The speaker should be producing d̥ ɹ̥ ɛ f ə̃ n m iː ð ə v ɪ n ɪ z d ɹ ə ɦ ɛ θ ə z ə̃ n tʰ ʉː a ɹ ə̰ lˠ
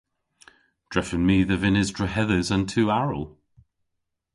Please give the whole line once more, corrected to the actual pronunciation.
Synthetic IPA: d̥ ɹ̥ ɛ f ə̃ n m iː ð ə v ɪ n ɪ z d ɹ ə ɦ ɛ ð ə z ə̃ n tʰ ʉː a ɹ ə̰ lˠ

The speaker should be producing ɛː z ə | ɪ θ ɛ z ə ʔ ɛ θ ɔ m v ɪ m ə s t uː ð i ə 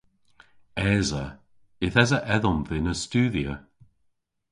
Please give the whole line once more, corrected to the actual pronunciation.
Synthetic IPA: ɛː z ə | ɪ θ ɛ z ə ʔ ɛ ð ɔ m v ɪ n ə s t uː ð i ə

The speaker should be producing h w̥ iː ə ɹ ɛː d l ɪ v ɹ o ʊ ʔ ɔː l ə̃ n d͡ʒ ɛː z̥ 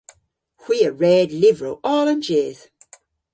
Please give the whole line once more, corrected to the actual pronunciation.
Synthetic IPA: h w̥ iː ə ɹ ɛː d l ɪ v ɹ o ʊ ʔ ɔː l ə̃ n d͡ʒ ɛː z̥

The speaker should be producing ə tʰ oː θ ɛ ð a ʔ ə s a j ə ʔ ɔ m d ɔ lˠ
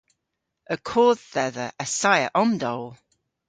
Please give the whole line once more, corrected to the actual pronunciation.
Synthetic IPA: ə kʰ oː ð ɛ ð ə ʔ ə s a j ə ʔ ɔ m d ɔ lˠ

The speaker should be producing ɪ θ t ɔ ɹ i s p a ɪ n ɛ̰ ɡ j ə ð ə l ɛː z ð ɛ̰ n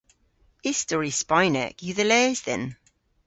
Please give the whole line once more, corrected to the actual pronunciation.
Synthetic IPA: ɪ s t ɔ ɹ i s p a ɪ n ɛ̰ k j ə ð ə l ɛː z ð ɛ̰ n

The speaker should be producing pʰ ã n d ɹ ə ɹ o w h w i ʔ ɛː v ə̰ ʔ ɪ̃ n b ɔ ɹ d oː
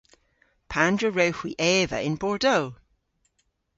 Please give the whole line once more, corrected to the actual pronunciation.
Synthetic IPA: pʰ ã n d ɹ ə ɹ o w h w i ʔ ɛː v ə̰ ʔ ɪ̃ n b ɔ ɹ d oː

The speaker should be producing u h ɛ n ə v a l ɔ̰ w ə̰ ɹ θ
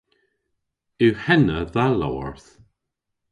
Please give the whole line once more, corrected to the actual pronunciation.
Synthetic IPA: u h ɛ n ə ð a l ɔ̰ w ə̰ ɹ θ

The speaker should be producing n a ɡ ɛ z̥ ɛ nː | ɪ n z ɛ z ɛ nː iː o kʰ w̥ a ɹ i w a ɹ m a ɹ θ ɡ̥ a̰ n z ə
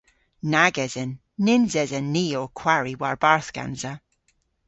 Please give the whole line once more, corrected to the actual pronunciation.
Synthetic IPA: n a ɡ ɛ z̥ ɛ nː | ɪ n z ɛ z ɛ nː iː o kʰ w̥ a ɹ i w a ɹ b a ɹ θ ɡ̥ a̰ n z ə

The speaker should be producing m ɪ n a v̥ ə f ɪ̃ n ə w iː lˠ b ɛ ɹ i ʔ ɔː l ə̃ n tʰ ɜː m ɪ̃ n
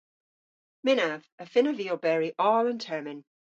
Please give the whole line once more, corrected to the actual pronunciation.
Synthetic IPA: m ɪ n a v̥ ə f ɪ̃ n ə v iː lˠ b ɛ ɹ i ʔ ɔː l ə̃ n tʰ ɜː m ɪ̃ n

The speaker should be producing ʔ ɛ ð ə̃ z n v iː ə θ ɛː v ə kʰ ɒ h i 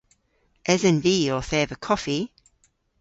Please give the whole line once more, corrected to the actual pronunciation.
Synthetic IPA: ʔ ɛ z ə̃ n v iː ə θ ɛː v ə kʰ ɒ f i

